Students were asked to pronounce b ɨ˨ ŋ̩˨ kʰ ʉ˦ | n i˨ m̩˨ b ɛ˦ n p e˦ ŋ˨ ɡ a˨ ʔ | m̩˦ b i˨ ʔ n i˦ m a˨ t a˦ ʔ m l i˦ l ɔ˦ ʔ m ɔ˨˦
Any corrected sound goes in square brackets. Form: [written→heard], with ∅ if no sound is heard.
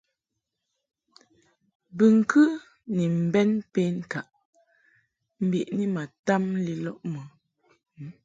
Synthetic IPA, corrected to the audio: b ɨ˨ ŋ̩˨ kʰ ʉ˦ | n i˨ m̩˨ b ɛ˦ n p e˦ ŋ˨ [ɡ→k] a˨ ʔ | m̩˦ b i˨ ʔ n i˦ m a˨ t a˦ [ʔ→∅] m l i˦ l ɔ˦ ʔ m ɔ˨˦